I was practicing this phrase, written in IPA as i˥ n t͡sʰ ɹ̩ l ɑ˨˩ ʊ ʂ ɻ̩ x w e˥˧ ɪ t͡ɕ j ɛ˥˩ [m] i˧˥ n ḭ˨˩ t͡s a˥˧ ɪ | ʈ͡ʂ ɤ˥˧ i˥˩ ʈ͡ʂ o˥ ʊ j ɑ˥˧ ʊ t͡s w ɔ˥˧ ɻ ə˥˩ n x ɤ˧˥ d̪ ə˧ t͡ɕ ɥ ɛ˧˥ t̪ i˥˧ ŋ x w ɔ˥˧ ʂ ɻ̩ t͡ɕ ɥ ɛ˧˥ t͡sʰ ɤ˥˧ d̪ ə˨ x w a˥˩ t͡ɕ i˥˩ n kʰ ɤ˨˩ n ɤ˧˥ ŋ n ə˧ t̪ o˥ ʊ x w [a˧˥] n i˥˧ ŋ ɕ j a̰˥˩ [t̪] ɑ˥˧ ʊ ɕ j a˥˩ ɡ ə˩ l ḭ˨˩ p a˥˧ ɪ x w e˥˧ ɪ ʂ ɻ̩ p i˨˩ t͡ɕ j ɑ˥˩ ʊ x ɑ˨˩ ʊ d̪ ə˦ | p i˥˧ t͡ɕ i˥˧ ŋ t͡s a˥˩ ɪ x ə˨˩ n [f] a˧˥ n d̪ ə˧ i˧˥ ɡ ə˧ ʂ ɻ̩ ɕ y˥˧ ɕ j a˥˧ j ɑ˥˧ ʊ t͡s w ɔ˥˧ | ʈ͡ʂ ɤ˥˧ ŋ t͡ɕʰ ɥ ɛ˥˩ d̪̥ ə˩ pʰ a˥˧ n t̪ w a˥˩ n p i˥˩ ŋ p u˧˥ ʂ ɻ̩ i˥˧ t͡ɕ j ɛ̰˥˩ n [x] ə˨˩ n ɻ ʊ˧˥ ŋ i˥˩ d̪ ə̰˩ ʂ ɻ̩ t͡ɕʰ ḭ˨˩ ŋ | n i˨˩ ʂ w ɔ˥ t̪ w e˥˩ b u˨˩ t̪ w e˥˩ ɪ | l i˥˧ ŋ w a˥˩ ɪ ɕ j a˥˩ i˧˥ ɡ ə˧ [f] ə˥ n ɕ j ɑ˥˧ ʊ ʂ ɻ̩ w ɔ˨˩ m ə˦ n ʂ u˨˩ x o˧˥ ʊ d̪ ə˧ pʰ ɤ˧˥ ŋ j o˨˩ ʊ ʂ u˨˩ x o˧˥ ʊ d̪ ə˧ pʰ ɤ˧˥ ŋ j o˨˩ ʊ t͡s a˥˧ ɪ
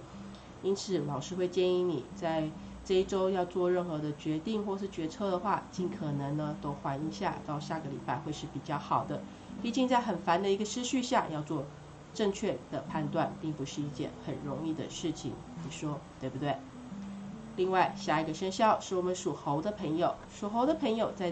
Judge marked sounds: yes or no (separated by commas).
no, yes, yes, yes, yes, no